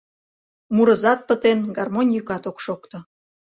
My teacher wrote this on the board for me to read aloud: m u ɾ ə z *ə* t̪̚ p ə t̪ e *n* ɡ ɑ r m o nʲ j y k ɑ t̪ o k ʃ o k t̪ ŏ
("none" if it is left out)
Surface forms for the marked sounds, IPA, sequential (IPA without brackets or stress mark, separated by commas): ɑ, n